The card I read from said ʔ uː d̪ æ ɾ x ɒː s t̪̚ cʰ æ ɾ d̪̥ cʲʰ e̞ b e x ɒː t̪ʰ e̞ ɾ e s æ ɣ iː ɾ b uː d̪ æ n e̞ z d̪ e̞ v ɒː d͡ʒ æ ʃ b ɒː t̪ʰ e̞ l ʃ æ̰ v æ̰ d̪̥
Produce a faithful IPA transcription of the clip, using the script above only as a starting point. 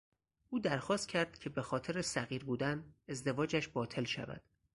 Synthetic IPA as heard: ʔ uː d̪ æ ɾ x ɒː s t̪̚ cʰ æ ɾ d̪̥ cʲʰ e̞ b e x ɒː t̪ʰ e̞ ɾ e s æ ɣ iː ɾ b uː d̪ æ n e̞ z d̪ e̞ v ɒː d͡ʒ æ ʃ b ɒː t̪ʰ e̞ l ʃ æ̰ v æ̰ d̪̥

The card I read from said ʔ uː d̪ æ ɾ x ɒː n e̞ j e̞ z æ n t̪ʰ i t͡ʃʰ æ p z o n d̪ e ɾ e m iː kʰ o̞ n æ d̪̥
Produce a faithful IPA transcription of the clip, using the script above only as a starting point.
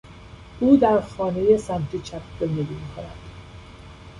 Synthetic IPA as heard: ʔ uː d̪ æ ɾ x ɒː n e̞ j e̞ s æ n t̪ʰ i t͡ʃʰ æ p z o n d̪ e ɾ i m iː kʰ o̞ n æ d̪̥

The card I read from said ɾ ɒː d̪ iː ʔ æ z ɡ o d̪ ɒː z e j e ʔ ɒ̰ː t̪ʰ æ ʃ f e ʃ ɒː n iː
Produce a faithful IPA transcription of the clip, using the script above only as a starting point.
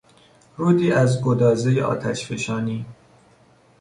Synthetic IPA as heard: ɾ uː d̪ iː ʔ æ z ɡ o d̪ ɒː z e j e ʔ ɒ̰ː t̪ʰ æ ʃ f e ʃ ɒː n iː

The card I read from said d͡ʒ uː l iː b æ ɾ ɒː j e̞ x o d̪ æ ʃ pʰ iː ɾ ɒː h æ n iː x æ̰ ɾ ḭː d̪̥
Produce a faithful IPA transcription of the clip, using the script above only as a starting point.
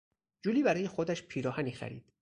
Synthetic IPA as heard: d͡ʒ uː l iː b æ ɾ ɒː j e̞ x o d̪ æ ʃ pʰ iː ɾ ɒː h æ n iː x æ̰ ɾ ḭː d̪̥

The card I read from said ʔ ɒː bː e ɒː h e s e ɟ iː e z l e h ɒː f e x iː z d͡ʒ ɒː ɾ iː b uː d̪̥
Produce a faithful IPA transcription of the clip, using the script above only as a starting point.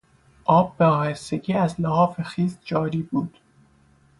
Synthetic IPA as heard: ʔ ɒː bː e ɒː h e s e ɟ iː æ z l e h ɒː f e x iː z d͡ʒ ɒː ɾ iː b uː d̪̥

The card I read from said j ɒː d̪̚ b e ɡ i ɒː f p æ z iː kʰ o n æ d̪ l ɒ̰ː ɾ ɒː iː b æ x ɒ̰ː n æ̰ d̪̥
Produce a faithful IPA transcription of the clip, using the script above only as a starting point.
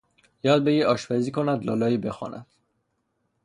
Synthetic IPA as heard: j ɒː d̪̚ b e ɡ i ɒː ʃ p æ z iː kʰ o n æ d̪ l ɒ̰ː l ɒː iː b e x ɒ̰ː n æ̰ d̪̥

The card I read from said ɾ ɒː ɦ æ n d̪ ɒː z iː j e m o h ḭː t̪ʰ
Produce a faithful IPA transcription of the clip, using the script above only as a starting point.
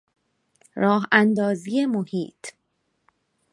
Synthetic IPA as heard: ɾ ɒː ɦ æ n d̪ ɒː z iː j e m o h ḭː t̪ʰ

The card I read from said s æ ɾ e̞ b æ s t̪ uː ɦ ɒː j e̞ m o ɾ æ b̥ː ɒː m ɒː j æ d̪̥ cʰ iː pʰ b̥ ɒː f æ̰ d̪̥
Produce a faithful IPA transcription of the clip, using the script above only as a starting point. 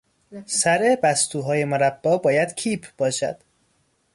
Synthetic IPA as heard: s æ ɾ e̞ b æ s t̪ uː ɦ ɒː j e̞ m o ɾ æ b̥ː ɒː b ɒː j æ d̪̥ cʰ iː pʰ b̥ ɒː ʃ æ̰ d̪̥

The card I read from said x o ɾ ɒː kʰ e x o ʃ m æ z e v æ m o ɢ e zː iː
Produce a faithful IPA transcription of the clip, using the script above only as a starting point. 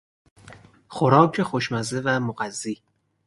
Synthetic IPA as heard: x o ɾ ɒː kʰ e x o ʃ m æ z e v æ m o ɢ æ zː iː

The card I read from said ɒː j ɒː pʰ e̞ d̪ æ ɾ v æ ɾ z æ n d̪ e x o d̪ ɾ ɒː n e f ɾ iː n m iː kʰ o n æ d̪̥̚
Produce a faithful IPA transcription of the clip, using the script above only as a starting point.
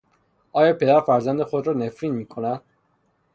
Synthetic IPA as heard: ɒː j ɒː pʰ e̞ d̪ æ ɾ f æ ɾ z æ n d̪ e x o d̪ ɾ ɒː n e f ɾ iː n m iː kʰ o n æ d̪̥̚

